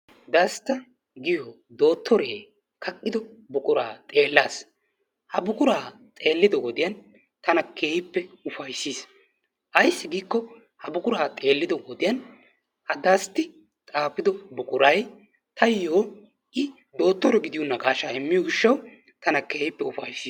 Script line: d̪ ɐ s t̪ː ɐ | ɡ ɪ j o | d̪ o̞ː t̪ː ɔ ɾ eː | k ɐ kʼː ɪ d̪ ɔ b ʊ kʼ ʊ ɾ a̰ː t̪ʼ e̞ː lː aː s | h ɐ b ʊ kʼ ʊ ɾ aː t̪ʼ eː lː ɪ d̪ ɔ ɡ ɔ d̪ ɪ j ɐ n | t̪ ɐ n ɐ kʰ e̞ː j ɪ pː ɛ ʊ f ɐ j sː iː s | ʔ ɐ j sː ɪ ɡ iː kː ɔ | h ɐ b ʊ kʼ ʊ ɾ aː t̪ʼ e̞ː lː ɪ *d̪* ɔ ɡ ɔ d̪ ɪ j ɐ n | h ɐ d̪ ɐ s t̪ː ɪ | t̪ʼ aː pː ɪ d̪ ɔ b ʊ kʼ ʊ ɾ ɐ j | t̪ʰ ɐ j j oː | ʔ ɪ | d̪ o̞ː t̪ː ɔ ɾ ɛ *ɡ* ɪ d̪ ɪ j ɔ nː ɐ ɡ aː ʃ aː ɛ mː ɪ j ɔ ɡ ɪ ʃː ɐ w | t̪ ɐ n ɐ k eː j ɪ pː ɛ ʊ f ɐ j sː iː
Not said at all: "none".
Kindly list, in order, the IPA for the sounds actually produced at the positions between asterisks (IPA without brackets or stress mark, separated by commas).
d̪, ɡ